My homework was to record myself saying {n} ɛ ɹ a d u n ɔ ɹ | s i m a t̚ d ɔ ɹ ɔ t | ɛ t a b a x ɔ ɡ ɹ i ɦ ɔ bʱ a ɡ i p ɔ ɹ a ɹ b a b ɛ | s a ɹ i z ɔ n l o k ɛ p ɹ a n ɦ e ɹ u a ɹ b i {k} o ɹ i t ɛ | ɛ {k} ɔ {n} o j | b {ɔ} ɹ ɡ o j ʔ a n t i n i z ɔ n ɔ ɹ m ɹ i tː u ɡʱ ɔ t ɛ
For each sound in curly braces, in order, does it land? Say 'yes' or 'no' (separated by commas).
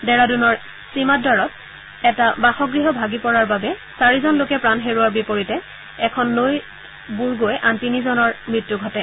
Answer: no, no, no, no, no